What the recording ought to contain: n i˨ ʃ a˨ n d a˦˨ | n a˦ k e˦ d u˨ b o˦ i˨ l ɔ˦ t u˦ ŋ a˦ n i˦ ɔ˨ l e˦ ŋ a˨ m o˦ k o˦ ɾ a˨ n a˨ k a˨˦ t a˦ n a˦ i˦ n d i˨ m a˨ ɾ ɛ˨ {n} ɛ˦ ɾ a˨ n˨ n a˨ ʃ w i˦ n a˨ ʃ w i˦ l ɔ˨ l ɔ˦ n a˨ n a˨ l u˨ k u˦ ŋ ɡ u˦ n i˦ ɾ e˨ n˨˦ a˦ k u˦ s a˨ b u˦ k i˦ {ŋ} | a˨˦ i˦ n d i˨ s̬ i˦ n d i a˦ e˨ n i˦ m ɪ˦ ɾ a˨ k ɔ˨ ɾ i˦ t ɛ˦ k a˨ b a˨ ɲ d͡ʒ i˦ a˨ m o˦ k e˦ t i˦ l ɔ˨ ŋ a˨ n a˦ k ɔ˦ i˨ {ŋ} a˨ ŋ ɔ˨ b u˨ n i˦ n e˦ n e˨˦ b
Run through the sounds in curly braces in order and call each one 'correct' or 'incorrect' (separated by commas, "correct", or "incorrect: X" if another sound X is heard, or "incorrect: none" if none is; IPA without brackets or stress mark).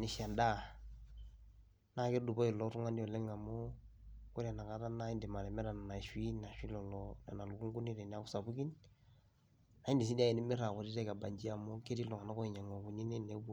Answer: incorrect: m, incorrect: n, incorrect: ɲ